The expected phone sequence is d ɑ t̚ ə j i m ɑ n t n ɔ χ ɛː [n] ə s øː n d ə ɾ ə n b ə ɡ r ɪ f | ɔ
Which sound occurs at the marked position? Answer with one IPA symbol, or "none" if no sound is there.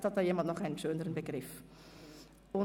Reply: n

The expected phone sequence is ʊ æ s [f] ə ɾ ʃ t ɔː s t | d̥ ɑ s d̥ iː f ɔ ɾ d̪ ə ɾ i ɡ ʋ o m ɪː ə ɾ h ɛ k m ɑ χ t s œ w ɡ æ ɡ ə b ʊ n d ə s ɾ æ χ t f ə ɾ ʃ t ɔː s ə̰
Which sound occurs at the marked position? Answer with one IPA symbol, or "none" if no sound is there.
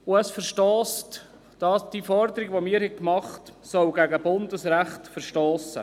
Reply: f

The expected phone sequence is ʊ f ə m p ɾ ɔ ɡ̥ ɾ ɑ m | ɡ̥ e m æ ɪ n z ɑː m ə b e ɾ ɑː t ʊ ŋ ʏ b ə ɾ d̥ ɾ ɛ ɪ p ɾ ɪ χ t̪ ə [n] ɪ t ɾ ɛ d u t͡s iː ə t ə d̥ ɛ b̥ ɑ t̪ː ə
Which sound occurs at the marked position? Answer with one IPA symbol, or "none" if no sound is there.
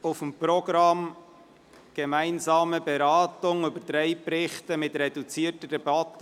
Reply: m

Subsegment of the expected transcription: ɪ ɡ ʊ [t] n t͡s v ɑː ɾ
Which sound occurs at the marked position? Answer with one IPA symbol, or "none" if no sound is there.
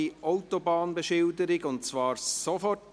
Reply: none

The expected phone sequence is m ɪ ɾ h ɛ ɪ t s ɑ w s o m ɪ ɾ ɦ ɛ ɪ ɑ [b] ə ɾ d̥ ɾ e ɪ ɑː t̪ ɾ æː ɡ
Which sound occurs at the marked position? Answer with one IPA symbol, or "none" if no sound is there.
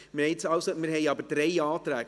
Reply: b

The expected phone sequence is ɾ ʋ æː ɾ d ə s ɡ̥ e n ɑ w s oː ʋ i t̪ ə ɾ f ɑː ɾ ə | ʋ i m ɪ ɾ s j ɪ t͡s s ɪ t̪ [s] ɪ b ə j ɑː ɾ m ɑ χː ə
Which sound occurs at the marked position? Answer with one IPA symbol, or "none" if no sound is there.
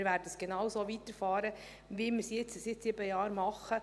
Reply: s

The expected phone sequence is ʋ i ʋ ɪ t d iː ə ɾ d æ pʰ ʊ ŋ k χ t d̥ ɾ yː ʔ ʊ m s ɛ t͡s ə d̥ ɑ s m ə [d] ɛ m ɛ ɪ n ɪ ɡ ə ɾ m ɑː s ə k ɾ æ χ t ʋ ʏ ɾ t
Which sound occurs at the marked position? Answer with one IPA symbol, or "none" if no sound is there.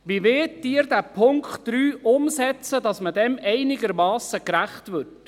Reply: d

